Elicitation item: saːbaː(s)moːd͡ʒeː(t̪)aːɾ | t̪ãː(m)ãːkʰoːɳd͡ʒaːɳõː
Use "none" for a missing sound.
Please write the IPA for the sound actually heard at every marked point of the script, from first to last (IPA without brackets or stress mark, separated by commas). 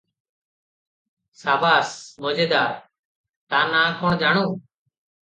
s, d̪, n